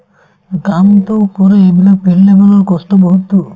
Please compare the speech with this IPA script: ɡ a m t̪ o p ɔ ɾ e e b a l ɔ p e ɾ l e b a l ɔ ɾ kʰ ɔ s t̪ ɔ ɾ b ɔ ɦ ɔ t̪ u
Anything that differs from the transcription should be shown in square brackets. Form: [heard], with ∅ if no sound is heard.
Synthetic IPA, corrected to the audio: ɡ a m t̪ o p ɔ ɾ e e b [i] l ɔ p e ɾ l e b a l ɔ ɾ [k] ɔ s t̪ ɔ [∅] b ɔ ɦ [u] t̪ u